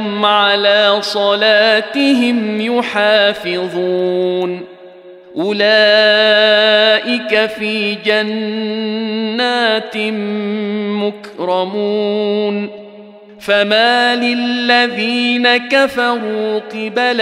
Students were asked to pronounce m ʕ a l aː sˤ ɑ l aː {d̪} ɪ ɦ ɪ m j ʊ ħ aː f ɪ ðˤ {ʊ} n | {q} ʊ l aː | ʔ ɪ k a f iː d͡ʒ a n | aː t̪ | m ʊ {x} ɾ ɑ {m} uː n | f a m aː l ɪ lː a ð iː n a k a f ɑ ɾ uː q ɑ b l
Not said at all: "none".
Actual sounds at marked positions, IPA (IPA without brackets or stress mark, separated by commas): t̪, u, ʔ, k, m